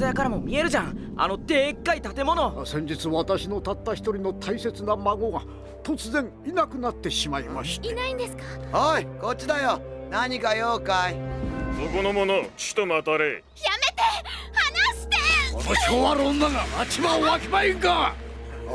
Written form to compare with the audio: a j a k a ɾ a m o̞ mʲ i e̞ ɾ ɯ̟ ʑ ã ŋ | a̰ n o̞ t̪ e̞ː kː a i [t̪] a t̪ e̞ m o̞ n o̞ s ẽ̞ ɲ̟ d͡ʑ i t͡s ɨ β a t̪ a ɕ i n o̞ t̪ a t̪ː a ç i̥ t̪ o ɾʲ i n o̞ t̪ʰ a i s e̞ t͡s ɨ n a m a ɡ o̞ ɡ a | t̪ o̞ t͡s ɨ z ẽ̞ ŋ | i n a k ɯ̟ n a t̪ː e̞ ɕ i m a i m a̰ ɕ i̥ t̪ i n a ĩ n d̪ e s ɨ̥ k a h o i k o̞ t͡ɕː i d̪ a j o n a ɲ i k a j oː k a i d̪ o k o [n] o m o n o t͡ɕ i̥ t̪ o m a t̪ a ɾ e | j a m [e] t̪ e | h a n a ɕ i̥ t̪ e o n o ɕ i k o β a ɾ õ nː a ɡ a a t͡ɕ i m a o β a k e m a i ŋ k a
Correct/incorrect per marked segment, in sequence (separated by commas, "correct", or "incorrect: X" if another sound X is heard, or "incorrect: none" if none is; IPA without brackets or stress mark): correct, correct, correct